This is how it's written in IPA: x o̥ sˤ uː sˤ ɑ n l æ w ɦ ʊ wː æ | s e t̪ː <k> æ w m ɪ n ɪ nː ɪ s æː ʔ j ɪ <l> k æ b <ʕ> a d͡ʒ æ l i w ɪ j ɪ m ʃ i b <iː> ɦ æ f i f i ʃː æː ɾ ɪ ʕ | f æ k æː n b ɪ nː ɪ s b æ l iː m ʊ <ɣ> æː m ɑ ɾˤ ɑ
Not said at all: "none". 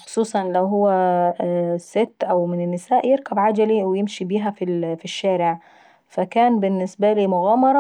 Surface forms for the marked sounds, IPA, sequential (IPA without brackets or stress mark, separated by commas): ʔ, ɾ, ʕ, iː, ɣ